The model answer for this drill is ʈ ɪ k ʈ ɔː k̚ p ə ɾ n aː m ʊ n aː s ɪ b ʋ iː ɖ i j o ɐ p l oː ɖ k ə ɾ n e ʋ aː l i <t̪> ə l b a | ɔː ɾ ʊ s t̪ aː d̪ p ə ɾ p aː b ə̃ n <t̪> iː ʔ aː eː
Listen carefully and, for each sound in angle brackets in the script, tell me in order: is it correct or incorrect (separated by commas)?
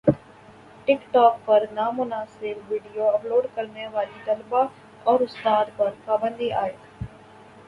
correct, incorrect